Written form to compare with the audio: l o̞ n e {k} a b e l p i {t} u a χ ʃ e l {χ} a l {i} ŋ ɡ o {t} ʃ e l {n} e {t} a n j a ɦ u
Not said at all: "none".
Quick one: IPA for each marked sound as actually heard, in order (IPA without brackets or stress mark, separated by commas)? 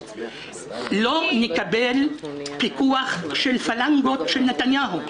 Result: k, k, f, a, t, n, t